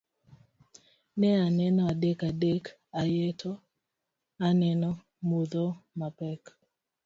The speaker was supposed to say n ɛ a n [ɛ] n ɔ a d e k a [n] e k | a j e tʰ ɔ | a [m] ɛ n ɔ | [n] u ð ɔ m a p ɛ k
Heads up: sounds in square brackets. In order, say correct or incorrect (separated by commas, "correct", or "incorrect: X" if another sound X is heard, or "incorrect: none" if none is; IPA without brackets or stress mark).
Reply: correct, incorrect: d, incorrect: n, incorrect: m